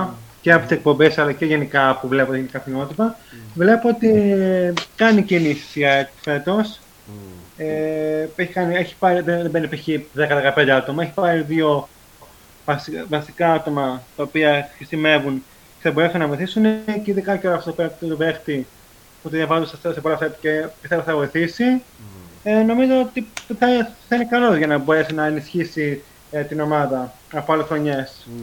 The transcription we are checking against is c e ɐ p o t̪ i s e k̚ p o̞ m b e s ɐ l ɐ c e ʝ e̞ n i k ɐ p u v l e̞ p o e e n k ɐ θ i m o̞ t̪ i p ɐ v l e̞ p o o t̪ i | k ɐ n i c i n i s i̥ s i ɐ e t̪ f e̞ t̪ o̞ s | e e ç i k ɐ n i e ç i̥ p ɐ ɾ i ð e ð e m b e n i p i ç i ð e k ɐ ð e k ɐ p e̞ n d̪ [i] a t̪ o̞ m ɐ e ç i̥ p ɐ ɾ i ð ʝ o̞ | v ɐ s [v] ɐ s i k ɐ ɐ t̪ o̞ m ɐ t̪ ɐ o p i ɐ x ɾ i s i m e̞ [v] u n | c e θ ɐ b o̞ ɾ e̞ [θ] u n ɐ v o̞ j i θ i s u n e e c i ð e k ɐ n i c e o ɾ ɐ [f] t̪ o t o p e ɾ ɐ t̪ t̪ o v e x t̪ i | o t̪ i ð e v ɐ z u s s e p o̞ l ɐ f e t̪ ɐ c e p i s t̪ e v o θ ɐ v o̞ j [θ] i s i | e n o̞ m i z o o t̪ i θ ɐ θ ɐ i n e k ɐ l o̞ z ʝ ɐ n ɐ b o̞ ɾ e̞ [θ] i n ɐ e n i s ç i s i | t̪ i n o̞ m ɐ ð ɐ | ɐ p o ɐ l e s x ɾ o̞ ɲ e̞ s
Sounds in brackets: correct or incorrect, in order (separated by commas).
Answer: incorrect, correct, correct, incorrect, correct, correct, incorrect